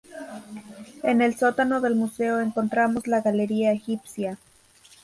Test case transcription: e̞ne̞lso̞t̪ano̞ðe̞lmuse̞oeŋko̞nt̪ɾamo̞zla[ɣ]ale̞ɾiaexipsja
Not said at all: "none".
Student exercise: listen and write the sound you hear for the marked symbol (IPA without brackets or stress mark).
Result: ɣ